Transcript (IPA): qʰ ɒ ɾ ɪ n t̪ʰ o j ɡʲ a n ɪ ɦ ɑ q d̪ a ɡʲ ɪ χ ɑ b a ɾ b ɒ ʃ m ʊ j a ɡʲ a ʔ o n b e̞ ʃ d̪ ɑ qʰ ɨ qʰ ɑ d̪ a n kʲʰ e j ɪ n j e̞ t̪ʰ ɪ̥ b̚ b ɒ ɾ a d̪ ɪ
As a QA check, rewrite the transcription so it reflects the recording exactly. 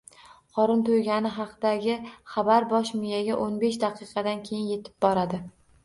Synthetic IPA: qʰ ɒ ɾ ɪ n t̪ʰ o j ɡʲ a n ɪ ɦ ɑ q d̪ a ɡʲ ɪ χ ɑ b a ɾ b ɒ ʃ m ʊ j a ɡʲ a ʔ o n b e̞ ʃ d̪ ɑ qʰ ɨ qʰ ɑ d̪ a n kʲʰ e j ɪ n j e̞ t̪ʰ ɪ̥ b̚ b ɒ ɾ a d̪ ɪ